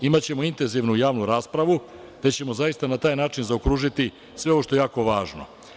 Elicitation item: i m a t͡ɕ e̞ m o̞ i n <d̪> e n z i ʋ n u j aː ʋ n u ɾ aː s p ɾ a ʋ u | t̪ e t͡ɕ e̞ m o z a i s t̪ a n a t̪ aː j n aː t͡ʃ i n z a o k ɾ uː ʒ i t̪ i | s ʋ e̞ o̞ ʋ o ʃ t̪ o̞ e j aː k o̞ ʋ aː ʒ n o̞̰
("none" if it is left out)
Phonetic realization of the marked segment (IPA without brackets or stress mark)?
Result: t̪